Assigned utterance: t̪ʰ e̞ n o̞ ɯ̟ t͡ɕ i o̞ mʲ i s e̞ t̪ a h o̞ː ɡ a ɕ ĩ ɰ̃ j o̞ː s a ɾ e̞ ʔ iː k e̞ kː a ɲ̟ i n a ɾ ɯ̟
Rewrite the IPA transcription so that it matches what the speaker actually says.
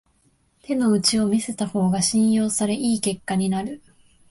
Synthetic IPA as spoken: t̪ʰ e̞ n o̞ ɯ̟ t͡ɕ i o̞ mʲ i s e̞ t̪ a h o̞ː ɡ a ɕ ĩ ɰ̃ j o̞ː s a ɾ e̞ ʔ iː k e̞ kː a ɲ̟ i n a ɾ ɯ̟